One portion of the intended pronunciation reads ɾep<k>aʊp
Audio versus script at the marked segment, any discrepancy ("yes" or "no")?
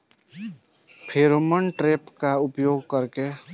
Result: no